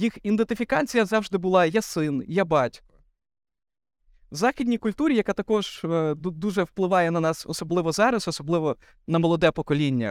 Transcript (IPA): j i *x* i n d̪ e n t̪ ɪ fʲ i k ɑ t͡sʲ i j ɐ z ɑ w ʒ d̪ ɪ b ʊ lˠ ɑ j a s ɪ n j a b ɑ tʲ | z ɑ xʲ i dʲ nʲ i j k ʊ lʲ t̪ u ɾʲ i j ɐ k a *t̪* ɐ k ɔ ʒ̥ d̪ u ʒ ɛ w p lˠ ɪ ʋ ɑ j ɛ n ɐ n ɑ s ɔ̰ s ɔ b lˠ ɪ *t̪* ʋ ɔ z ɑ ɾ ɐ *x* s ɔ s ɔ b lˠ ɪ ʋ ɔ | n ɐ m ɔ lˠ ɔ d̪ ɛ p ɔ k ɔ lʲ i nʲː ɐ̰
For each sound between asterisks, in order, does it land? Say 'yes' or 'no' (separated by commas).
yes, yes, no, no